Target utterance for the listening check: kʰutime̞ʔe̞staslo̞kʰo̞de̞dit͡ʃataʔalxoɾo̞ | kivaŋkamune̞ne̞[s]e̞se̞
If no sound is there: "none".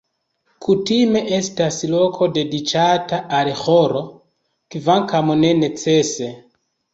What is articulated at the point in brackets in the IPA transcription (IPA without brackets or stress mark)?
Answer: t͡s